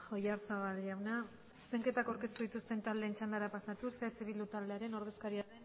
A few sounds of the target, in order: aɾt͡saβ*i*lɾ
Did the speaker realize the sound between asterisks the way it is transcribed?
no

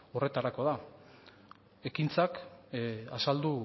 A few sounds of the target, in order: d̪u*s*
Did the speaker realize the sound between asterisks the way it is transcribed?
no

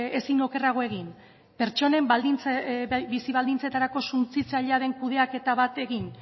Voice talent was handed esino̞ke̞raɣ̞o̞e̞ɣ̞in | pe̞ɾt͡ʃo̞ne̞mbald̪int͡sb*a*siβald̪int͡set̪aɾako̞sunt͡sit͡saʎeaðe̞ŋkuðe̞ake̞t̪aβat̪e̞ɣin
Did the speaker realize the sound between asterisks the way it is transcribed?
no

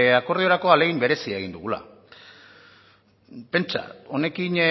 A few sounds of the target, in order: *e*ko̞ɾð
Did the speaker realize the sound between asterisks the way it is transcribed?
no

